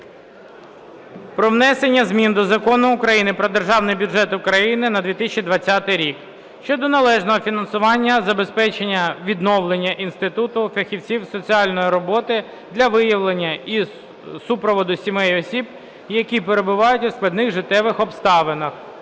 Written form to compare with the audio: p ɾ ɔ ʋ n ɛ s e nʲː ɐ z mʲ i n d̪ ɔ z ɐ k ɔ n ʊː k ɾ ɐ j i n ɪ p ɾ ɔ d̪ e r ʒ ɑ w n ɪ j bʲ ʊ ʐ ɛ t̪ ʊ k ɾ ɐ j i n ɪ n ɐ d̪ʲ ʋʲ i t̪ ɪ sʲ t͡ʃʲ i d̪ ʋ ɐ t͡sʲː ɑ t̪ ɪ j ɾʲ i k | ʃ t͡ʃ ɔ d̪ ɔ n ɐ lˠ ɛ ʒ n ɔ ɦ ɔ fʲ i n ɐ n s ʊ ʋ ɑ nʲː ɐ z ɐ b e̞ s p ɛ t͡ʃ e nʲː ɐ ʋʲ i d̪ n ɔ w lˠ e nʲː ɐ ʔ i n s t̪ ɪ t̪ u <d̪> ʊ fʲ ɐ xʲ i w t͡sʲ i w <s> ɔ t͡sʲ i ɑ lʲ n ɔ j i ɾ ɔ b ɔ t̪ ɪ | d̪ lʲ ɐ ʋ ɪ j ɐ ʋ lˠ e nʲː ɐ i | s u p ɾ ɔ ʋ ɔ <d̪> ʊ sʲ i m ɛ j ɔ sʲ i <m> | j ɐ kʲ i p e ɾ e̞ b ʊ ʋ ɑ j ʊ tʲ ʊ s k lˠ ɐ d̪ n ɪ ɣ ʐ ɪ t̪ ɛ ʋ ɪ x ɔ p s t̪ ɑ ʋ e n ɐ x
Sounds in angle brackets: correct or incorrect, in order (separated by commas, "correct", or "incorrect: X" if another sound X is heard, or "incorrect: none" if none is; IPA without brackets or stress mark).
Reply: incorrect: t̪, correct, correct, incorrect: b